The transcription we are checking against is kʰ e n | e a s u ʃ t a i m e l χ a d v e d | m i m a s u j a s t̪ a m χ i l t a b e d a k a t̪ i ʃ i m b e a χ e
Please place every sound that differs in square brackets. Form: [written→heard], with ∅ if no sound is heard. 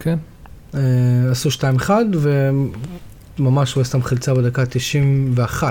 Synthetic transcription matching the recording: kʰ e n | e a s u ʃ t a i m e [l→∅] χ a d v e [d→∅] | m [i→a] m a [s→ʃ] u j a s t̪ a m χ i l [t→t͡s] a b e d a k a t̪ i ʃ i m [b→v] e a χ [e→a]